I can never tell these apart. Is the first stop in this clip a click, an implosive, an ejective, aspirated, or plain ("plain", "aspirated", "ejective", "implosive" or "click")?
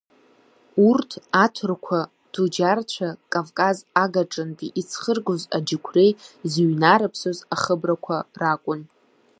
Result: aspirated